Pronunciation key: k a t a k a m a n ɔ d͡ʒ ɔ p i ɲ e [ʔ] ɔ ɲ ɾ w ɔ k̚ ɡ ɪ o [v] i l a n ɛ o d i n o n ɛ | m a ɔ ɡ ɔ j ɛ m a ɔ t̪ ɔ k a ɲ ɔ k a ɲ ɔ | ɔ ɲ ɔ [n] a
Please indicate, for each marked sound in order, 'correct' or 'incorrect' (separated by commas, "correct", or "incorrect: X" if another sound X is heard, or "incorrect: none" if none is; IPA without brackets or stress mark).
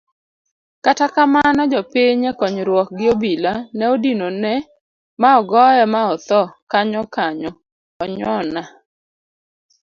incorrect: k, incorrect: b, correct